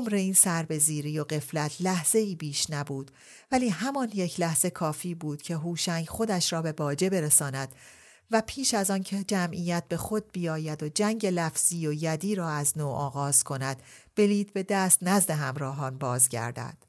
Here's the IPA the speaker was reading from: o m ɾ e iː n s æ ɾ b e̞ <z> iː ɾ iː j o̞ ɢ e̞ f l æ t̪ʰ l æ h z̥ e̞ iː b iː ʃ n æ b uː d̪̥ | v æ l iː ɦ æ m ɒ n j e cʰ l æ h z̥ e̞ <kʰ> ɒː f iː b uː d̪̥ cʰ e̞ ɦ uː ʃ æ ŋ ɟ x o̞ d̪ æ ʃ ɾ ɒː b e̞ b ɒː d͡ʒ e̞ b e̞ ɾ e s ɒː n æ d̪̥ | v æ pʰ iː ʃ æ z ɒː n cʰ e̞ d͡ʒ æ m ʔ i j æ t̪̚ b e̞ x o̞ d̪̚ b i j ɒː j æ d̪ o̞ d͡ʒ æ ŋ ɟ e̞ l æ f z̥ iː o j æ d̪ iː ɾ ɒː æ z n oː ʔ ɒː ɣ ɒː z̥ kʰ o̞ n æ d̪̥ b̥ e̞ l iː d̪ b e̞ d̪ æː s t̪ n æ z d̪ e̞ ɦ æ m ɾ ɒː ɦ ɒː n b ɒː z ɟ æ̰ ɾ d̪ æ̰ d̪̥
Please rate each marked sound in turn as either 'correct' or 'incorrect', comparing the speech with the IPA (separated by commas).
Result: correct, correct